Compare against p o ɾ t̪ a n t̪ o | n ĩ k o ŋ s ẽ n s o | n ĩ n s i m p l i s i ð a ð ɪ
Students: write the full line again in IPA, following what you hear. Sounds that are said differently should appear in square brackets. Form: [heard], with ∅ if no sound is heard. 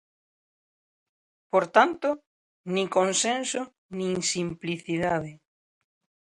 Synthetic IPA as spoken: p o ɾ t̪ a n t̪ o | n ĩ k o [n] s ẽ n s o | n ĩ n s i m p l i [θ] i ð a ð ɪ

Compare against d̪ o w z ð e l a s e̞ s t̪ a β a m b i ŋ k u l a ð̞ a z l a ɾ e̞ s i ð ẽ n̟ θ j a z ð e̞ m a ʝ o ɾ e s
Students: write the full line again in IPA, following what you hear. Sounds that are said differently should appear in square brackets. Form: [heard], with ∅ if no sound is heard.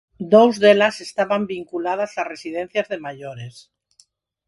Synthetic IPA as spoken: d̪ o w z ð e l a s e̞ s t̪ a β a m b i ŋ k u l a ð̞ a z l a [r] e̞ s i ð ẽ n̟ θ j a z ð e̞ m a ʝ o ɾ e s

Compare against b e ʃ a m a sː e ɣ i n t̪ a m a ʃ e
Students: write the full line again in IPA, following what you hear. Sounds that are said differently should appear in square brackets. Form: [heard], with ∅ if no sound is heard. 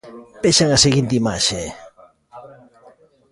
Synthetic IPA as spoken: [p] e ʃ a [ŋ] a [s] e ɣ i n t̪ [i] m a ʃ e

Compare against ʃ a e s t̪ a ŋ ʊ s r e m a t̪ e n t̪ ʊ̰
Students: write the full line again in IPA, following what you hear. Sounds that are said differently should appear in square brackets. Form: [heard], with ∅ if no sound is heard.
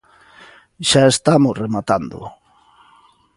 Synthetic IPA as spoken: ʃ a e s t̪ a [m] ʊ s r e m a t̪ [a] n [d̪] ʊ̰

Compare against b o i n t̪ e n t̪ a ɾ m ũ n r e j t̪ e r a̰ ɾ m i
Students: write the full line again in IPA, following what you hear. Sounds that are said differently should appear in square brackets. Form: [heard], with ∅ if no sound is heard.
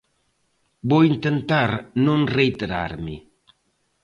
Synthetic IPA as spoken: b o i n t̪ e n t̪ a ɾ [n] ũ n r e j t̪ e [ɾ] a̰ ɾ m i

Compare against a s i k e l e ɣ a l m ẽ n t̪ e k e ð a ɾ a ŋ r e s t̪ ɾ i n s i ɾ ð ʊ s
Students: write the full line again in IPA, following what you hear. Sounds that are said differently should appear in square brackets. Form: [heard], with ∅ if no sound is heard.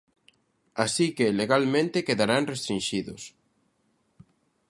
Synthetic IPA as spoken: a s i k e l e ɣ a l m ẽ n t̪ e k e ð a ɾ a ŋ r e s t̪ ɾ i n [ʃ] i [∅] ð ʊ s

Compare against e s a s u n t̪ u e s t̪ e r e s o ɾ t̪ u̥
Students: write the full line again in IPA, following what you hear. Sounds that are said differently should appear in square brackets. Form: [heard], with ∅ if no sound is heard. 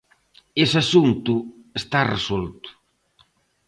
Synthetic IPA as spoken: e s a s u n t̪ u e s t̪ [a] r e s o [l] t̪ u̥

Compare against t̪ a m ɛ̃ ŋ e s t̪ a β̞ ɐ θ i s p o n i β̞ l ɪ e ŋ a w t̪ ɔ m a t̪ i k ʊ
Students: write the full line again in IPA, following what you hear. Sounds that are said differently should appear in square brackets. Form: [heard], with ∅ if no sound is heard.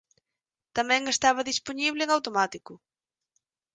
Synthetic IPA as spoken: t̪ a m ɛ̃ ŋ e s t̪ a β̞ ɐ [ð] i s p o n i β̞ l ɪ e ŋ a w t̪ [o] m a t̪ i k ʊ

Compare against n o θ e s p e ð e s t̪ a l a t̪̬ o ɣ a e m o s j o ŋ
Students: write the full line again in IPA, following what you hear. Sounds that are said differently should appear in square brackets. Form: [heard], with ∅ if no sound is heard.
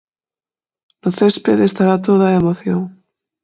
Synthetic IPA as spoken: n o θ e s p e ð e s t̪ a [ɾ] a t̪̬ o [ð] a e m o [θ] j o ŋ

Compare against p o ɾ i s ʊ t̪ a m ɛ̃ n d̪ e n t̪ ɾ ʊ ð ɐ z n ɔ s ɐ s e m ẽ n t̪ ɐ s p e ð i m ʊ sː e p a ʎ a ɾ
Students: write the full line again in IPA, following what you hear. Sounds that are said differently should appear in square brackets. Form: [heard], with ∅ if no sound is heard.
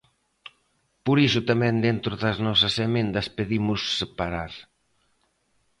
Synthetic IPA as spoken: p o ɾ i s ʊ t̪ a m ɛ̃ n d̪ e n t̪ ɾ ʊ ð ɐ z n ɔ s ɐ s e m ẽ n [d̪] ɐ s p e ð i m ʊ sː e p a [ɾ] a ɾ

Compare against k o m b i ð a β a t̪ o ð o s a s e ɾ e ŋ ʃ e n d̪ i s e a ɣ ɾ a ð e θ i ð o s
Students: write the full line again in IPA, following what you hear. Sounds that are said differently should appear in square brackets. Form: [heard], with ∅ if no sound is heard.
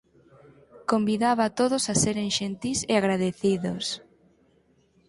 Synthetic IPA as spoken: k o m b i ð a β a t̪ o ð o s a s e ɾ e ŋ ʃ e n [t̪] i s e a ɣ ɾ a ð e θ i ð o s

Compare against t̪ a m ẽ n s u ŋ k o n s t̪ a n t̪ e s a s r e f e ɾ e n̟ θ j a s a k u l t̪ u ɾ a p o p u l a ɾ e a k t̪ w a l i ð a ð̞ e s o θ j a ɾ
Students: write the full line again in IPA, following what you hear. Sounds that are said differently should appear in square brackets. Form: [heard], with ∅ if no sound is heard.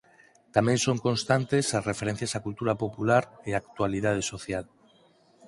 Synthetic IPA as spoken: t̪ a m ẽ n s [o] ŋ k o n s t̪ a n t̪ e s a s r e f e ɾ e n̟ θ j a s a k u l t̪ u ɾ a p o p u l a ɾ e a k t̪ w a l i ð a ð̞ e s o θ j a [l]

